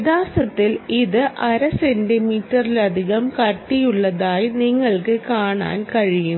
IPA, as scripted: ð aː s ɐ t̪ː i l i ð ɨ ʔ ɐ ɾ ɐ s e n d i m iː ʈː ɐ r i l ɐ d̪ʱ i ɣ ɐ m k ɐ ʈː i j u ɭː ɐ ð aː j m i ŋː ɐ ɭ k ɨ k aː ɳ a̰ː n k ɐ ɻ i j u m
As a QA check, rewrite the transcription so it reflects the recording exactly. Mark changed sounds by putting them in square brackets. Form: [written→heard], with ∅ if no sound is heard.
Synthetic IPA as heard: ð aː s ɐ t̪ː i l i ð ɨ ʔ ɐ ɾ ɐ s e n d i m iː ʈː ɐ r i l ɐ d̪ʱ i ɣ ɐ m k ɐ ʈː i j u ɭː ɐ ð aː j [m→n] i ŋː ɐ ɭ k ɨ k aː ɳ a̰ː n k ɐ ɻ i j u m